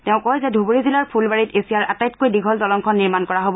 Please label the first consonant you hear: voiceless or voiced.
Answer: voiceless